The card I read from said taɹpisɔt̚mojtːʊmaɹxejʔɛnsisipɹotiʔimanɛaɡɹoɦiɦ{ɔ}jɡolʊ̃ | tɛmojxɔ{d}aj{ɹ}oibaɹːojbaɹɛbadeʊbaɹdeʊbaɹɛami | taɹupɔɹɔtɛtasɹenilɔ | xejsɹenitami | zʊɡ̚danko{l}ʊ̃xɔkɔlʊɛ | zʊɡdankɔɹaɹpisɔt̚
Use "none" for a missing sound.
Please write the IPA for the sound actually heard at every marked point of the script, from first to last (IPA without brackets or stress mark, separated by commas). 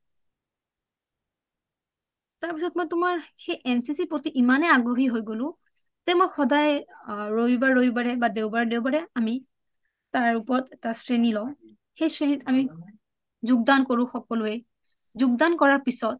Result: o, d, ɹ, ɹ